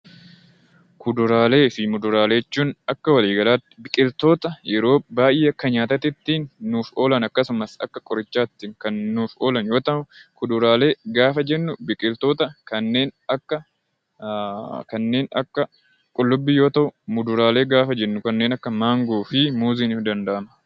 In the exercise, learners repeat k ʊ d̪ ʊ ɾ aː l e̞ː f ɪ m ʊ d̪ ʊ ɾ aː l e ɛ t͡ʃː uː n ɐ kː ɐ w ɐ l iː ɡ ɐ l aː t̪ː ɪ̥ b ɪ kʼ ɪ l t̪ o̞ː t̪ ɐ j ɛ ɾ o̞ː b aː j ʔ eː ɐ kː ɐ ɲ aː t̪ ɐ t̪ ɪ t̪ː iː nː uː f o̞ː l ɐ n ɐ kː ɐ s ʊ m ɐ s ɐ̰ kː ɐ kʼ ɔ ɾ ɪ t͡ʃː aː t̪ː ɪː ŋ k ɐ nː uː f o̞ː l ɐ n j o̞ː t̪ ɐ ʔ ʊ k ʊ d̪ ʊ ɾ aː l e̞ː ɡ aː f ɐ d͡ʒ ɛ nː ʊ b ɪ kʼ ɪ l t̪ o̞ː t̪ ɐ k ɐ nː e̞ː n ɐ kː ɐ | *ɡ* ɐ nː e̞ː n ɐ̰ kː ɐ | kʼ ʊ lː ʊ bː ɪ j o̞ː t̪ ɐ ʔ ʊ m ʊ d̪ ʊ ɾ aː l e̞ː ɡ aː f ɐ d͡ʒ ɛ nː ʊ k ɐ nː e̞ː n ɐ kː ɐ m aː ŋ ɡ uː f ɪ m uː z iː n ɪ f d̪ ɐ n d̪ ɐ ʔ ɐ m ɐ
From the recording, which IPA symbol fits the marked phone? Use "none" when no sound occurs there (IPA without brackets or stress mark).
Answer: k